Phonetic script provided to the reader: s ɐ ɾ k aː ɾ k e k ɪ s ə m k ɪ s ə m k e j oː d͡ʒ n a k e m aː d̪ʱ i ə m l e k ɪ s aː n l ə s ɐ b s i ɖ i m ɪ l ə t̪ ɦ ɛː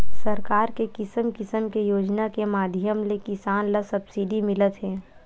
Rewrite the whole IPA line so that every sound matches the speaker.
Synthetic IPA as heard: s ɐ ɾ k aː ɾ k e k ɪ s ə m k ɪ s ə m k e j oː d͡ʒ n a k e m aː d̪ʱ j ə m l e k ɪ s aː n l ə s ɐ b s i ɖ i m ɪ l ə t̪ ɦ ɛː